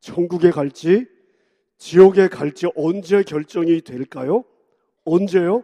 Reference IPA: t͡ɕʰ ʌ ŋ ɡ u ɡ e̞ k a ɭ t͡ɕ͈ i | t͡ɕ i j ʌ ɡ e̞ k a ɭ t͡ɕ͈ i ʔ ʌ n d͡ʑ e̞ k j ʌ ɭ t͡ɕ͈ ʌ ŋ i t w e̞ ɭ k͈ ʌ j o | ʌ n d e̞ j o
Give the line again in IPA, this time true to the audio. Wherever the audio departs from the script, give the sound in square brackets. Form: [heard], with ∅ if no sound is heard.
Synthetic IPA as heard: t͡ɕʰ ʌ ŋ ɡ u ɡ e̞ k a ɭ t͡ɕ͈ i | t͡ɕ i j ʌ ɡ e̞ k a ɭ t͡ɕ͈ i ʔ ʌ n d͡ʑ e̞ k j ʌ ɭ t͡ɕ͈ ʌ ŋ i t w e̞ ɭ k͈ [a] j o | ʌ n [d͡ʑ] e̞ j o